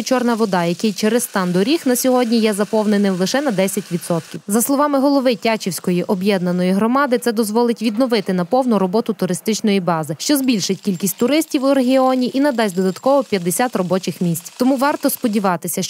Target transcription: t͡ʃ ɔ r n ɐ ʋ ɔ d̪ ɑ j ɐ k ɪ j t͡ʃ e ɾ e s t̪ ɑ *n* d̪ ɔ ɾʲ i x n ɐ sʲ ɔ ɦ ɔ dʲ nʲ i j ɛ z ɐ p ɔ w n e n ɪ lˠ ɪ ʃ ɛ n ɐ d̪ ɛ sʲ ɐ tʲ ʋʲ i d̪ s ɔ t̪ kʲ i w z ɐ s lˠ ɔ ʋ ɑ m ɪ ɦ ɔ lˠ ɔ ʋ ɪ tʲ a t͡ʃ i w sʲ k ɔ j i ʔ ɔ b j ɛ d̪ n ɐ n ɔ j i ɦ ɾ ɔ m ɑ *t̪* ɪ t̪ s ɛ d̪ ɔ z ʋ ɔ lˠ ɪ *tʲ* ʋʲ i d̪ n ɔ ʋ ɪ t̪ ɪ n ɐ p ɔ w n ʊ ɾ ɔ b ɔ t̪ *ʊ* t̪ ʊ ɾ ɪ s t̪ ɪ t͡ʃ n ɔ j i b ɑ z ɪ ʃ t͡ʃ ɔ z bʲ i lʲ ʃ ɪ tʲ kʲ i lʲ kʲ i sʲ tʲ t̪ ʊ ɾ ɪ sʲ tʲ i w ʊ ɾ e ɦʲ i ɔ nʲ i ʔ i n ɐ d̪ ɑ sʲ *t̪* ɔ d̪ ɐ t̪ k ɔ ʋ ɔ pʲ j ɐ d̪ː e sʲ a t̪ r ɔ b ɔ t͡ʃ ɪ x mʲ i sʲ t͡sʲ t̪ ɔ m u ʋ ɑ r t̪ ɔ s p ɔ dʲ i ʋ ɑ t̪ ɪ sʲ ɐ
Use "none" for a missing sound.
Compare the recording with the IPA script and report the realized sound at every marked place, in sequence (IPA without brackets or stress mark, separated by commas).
n, d̪, tʲ, ʊ, d̪